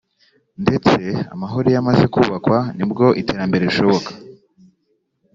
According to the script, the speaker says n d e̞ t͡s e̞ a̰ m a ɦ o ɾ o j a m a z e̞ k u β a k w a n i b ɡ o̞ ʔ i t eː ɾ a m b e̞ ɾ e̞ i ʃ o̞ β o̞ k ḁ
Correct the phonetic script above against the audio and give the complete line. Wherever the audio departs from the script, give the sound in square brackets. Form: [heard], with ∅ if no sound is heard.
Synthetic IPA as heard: n d e̞ t͡s e̞ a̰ m a ɦ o ɾ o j a m a z e̞ k u β a k w a n i b ɡ o̞ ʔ i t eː ɾ a m b e̞ ɾ e̞ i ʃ o̞ β o̞ k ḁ